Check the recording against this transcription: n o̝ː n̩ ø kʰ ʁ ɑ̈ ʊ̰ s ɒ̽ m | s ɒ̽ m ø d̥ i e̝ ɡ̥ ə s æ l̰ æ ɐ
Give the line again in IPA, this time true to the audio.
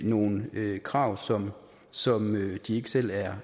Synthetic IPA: n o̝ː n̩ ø kʰ ʁ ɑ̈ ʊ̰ s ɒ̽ m | s ɒ̽ m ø d̥ i e̝ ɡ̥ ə s e l̰ æ ɐ

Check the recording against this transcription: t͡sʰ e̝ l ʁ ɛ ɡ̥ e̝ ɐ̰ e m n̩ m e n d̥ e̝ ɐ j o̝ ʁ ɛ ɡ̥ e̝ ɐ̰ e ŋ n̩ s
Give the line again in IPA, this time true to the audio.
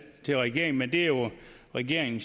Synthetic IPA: t͡sʰ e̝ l ʁ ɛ ɡ̥ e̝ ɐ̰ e ŋ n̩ m e n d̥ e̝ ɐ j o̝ ʁ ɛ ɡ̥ e̝ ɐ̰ e ŋ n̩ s

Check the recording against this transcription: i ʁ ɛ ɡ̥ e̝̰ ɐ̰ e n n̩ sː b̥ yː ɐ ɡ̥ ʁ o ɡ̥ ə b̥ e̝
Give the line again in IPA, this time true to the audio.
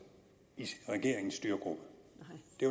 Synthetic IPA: i ʁ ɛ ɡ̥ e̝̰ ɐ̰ e ŋ n̩ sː d̥ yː ɐ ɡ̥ ʁ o b̥ ə d̥ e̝

